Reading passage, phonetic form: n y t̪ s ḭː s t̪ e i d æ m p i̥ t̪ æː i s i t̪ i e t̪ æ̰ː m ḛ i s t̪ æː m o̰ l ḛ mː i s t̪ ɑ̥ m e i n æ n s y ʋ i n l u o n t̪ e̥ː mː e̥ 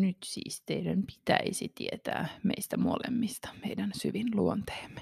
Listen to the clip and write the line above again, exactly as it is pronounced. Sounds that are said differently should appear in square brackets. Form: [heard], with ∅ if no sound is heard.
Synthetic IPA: n y t̪ s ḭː s t̪ e i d æ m p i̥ t̪ [æ] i s i t̪ i e t̪ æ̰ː m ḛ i s t̪ [æ] m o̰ l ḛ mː i s t̪ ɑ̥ m e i [d] æ n s y ʋ i n l u o n t̪ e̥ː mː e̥